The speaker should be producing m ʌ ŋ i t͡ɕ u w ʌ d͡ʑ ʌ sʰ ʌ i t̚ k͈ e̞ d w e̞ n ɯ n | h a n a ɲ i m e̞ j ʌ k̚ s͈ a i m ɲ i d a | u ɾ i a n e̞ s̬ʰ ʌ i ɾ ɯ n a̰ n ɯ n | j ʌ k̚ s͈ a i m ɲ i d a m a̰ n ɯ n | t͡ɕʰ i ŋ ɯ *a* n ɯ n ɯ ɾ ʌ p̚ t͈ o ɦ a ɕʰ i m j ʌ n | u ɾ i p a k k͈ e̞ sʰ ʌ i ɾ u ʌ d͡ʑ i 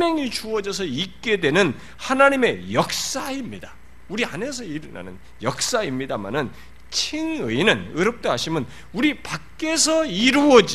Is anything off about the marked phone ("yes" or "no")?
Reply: yes